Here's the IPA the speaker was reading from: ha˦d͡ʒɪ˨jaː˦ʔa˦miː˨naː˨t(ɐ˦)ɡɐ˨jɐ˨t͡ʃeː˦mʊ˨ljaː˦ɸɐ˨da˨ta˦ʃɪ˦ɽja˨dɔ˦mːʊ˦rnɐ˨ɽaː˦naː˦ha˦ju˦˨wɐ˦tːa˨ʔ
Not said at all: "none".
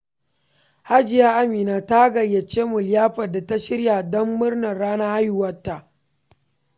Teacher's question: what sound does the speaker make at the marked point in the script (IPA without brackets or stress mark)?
a˦